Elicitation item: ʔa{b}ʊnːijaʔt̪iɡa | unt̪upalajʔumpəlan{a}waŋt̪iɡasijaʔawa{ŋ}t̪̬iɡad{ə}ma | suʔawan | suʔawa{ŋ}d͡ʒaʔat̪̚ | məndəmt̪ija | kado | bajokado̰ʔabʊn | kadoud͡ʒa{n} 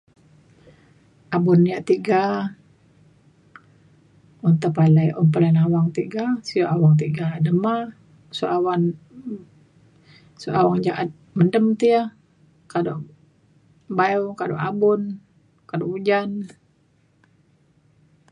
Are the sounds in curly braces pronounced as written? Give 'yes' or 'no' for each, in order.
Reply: yes, yes, yes, yes, yes, yes

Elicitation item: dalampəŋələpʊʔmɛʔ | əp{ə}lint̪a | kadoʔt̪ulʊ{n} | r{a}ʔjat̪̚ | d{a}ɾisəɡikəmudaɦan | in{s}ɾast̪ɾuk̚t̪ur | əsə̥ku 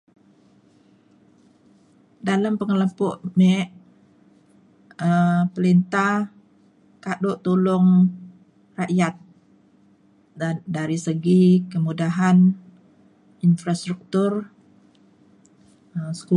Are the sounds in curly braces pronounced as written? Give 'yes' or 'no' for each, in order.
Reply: yes, no, yes, yes, no

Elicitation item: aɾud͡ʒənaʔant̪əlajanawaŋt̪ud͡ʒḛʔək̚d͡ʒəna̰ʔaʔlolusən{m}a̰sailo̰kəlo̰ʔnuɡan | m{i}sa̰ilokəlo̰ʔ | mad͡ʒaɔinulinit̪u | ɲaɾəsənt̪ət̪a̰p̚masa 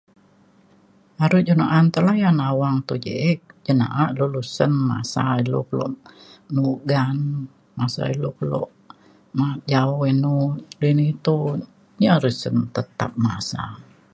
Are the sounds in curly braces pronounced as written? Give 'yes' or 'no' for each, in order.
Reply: yes, no

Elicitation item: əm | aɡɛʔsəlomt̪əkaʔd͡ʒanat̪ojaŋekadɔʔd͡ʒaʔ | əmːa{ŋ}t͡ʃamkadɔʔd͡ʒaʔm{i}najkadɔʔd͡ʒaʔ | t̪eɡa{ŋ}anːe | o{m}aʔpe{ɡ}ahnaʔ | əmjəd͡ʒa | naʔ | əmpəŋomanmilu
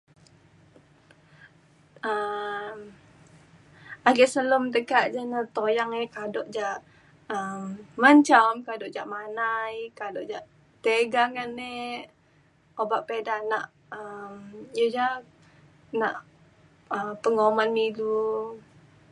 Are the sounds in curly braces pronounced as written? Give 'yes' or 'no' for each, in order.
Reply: no, no, yes, no, no

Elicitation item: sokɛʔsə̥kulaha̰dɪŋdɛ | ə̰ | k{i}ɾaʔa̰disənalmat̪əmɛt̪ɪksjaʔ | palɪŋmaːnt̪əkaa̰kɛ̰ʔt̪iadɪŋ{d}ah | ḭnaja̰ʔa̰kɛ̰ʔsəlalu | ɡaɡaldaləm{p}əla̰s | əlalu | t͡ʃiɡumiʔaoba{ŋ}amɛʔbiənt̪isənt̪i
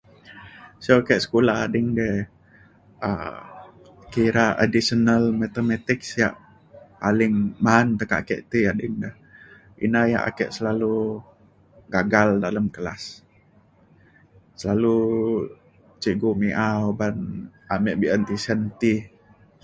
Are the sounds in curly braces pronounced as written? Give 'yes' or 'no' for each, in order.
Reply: yes, yes, no, no

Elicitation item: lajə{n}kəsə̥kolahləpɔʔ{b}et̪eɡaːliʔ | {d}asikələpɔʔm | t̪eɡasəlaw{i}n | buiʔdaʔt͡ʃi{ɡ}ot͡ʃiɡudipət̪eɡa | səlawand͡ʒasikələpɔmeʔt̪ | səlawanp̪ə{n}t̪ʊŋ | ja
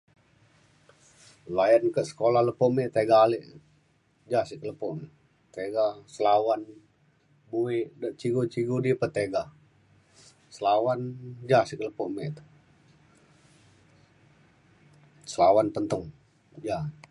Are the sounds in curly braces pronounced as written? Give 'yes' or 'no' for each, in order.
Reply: yes, no, no, no, yes, yes

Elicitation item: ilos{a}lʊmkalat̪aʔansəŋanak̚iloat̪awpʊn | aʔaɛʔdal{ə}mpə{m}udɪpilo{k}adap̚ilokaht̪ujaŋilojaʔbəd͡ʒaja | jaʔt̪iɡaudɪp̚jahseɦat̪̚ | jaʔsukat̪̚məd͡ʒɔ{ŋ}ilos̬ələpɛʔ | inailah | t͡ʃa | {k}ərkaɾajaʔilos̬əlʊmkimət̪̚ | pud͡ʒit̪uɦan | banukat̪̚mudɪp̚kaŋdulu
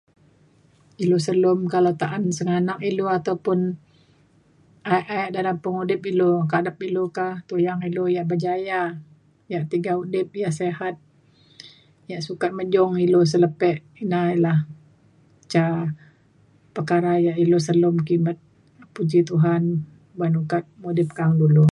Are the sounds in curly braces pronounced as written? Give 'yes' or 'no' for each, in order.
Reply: no, no, no, yes, yes, no

